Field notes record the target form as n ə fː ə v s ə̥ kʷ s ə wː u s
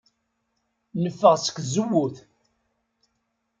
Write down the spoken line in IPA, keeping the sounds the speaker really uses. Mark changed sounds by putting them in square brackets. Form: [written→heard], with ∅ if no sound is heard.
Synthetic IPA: n ə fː ə [v→ʁ] s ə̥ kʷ [s→z] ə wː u [s→θ]